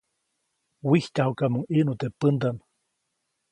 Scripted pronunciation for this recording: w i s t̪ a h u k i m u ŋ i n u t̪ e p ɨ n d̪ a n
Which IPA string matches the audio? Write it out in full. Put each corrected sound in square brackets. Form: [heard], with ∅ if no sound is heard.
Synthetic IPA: w i [h] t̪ a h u k [a] m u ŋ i n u t̪ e p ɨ n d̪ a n